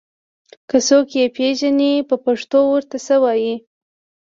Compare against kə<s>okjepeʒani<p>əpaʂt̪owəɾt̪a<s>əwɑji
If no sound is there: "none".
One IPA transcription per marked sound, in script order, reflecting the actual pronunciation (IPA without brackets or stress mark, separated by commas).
s, p, s